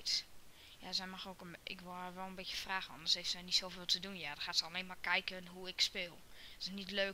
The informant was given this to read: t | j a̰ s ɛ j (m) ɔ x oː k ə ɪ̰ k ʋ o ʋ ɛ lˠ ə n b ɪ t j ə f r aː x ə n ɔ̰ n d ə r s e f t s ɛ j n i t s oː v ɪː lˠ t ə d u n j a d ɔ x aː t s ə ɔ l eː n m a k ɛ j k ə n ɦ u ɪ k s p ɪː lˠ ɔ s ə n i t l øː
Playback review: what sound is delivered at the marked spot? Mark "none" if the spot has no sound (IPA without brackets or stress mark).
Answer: m